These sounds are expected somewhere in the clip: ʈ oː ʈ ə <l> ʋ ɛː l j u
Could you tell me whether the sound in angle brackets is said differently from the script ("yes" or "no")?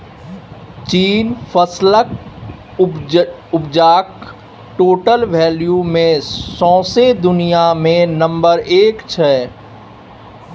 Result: no